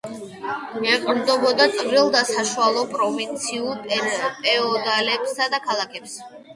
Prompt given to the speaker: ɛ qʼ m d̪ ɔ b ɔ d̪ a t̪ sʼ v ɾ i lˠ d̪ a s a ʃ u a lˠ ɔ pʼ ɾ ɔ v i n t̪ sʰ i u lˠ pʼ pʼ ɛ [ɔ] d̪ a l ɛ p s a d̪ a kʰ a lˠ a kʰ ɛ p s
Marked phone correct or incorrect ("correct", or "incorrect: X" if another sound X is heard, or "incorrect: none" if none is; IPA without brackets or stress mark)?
correct